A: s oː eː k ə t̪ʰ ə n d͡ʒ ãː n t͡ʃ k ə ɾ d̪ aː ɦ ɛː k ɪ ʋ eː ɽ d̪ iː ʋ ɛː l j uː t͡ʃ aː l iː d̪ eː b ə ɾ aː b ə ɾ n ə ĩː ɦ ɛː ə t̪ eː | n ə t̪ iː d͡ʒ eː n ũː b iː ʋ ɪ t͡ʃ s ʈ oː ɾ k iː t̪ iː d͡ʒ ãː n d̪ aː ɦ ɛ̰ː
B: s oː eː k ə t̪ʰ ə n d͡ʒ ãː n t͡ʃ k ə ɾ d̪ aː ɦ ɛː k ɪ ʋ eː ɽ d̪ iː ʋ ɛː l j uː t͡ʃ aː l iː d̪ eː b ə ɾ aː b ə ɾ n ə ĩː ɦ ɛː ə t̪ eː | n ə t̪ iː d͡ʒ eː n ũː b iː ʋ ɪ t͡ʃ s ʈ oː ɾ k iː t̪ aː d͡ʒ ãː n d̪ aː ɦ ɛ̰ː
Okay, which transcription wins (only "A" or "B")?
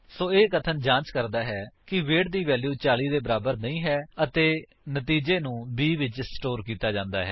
B